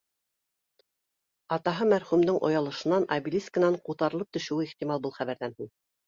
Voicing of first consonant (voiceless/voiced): voiceless